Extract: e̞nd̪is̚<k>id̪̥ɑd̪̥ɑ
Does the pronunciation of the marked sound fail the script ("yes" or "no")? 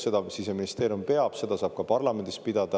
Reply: yes